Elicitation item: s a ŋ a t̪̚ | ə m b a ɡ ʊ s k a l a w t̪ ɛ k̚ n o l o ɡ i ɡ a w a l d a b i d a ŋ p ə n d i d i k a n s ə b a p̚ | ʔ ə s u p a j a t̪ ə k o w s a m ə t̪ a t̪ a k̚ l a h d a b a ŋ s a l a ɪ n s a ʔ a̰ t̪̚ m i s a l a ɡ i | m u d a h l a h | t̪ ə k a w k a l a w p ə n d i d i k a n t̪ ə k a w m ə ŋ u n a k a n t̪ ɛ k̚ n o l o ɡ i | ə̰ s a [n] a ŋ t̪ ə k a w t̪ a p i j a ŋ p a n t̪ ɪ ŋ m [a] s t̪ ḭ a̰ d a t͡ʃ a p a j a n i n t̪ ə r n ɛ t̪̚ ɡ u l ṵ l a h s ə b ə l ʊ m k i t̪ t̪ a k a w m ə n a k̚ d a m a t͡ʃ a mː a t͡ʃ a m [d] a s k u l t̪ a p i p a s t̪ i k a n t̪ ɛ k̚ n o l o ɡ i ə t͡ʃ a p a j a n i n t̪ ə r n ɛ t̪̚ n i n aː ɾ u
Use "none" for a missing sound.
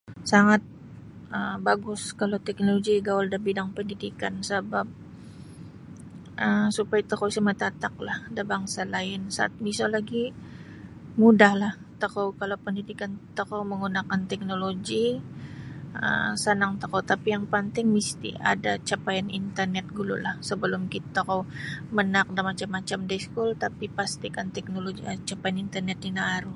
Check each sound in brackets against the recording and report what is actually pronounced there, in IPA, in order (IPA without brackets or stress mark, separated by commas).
n, i, d